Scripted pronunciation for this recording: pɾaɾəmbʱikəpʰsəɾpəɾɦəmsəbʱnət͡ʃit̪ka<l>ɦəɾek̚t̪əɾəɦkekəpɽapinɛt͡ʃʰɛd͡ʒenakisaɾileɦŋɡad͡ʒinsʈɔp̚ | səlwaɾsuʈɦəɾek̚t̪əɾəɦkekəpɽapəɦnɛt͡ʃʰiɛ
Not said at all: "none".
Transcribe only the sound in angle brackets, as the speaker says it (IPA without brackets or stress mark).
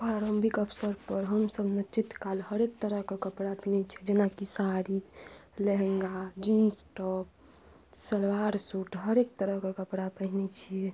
l